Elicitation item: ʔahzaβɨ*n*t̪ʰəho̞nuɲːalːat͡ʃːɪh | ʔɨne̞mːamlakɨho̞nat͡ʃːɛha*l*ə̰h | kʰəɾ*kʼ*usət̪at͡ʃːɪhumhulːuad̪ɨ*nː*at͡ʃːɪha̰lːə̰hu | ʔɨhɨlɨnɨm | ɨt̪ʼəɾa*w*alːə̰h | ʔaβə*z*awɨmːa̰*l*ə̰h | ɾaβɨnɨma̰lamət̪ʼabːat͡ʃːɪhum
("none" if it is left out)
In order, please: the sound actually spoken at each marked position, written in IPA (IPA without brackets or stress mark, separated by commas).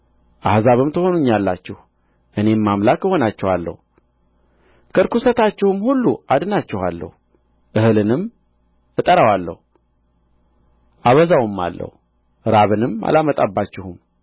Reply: m, lː, k, n, w, z, lː